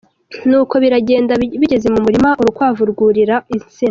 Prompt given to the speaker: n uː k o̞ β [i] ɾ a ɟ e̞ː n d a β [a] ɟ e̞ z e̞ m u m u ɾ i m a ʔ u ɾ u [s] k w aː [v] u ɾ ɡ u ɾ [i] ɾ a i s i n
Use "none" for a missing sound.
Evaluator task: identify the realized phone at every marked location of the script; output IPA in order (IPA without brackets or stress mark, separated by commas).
i, i, none, v, i